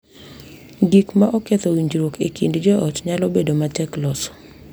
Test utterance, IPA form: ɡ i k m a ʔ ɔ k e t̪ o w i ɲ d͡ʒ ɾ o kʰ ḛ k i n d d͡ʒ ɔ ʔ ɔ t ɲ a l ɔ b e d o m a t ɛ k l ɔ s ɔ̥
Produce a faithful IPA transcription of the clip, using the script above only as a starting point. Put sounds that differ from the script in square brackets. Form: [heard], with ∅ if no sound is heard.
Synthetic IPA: ɡ i k m a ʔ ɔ k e t̪ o w i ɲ d͡ʒ ɾ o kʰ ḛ k i n d d͡ʒ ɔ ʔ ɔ t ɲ a l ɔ b e d o m a t ɛ k l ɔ s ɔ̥